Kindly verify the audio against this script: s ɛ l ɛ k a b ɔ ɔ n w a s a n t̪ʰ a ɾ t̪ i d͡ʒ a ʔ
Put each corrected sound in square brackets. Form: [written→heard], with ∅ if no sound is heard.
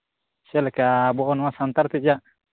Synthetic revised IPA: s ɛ l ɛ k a b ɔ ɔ n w a s a n [t̪ʰ→t̪] a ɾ t̪ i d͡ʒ a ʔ